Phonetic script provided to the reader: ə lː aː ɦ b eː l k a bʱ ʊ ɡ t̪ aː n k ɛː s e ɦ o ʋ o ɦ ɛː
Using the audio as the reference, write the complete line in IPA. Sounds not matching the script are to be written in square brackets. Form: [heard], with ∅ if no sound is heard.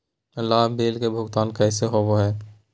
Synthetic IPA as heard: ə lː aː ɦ b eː l k [e] bʱ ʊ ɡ t̪ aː n k ɛː s e ɦ o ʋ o ɦ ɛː